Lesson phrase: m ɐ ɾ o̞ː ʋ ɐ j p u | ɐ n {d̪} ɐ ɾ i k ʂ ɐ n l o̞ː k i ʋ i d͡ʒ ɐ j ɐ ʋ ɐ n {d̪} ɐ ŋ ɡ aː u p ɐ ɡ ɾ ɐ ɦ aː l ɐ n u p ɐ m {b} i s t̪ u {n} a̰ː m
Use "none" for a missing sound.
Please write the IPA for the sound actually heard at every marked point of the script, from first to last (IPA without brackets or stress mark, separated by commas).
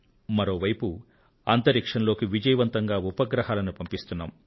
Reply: t̪, t̪, p, nː